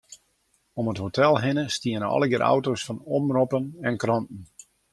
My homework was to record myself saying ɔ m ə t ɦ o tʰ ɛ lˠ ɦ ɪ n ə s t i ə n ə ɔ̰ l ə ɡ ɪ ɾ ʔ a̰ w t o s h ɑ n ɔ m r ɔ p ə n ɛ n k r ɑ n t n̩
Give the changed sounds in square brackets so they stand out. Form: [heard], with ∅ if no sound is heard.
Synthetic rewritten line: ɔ m ə t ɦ o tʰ ɛ lˠ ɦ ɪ n ə s t i ə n ə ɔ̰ l ə ɡ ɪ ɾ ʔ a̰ w t o s [f] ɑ n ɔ m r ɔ p ə n ɛ n k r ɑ n t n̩